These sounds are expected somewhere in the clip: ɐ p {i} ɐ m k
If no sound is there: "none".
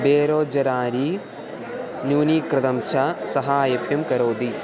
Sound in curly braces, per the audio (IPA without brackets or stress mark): j